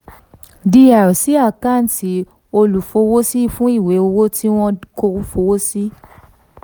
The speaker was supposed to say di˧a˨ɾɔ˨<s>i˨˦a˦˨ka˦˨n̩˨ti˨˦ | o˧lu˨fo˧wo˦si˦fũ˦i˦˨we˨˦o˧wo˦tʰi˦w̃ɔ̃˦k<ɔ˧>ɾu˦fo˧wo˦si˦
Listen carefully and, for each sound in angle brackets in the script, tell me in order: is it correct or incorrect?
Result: correct, incorrect: o˧

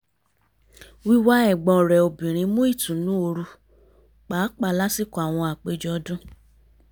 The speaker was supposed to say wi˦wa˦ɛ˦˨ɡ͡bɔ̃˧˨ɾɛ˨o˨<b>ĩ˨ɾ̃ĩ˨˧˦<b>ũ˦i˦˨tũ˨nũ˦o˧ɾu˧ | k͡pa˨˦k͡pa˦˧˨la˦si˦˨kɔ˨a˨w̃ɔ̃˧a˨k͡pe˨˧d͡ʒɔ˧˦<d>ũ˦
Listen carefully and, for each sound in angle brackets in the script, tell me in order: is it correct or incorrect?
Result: correct, incorrect: m, correct

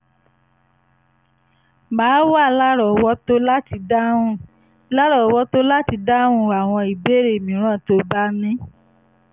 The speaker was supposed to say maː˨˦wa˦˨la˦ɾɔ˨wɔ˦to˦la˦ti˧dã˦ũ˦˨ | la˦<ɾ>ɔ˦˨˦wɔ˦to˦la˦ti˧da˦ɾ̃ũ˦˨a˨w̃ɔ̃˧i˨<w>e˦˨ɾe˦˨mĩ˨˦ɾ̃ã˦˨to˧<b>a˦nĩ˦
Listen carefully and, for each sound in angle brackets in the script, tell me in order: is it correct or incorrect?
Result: correct, incorrect: b, correct

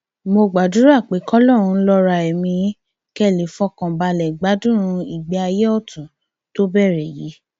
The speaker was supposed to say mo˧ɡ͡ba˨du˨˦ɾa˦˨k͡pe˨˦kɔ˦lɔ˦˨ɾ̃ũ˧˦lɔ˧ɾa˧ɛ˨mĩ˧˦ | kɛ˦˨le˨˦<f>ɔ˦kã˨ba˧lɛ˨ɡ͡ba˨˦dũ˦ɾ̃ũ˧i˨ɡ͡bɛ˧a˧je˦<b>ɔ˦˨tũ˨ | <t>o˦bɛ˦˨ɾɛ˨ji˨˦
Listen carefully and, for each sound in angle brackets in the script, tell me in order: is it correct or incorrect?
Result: correct, incorrect: none, correct

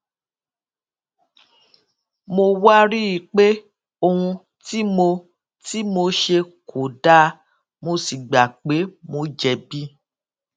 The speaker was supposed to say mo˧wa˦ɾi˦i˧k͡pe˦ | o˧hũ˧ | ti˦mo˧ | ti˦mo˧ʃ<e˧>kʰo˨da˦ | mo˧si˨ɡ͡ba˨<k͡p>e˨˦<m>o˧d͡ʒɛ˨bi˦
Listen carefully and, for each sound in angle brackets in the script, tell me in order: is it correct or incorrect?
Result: correct, correct, correct

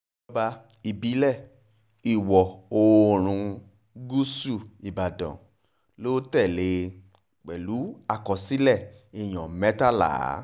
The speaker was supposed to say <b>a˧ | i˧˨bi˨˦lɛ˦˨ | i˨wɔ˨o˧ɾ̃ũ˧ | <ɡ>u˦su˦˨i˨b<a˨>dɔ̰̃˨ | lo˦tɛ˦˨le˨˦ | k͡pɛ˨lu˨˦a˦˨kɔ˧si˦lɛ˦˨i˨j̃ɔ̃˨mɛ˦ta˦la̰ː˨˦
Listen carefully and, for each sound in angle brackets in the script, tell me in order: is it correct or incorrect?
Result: correct, correct, correct

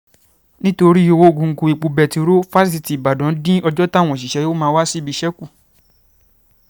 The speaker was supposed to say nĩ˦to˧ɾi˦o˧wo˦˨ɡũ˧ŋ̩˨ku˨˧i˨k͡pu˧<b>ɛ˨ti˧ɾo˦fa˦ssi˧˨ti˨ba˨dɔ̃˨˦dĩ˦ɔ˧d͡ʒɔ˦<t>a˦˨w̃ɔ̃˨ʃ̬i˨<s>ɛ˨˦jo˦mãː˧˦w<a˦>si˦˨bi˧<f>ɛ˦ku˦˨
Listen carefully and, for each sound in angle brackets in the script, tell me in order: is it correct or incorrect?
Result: correct, correct, incorrect: ʃ, correct, incorrect: ʃ

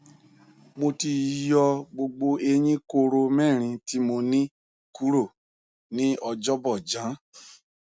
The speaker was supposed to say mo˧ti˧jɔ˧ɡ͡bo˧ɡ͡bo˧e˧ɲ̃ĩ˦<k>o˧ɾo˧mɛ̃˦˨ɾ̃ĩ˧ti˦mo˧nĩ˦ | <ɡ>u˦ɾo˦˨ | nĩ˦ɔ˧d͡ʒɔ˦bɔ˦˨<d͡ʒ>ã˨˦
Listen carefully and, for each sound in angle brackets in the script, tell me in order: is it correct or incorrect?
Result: correct, incorrect: k, correct

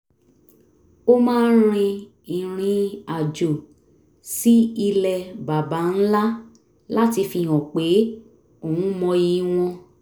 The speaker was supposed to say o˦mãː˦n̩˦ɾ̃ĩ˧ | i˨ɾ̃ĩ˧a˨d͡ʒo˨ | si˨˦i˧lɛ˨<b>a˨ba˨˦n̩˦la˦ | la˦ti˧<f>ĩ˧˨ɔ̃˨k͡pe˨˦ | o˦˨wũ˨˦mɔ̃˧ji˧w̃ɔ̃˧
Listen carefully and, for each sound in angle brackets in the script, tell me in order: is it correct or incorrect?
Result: correct, correct

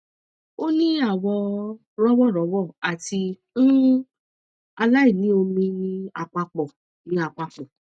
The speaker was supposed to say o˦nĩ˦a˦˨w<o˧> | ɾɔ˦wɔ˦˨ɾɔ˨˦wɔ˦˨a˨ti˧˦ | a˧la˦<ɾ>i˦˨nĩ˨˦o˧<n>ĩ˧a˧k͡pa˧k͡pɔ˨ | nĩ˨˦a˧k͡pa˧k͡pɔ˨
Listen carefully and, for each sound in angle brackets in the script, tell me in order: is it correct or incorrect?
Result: incorrect: ɔ˧, incorrect: none, incorrect: m

